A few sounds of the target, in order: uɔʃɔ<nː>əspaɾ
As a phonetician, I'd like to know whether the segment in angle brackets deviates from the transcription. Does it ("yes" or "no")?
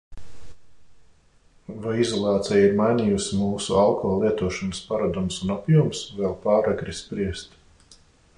yes